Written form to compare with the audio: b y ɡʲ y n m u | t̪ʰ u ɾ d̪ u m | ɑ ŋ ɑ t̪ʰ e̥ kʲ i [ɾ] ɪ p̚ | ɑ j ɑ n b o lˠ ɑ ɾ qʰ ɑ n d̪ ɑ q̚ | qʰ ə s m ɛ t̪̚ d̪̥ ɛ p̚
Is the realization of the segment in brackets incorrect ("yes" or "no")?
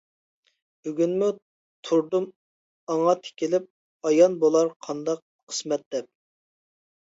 yes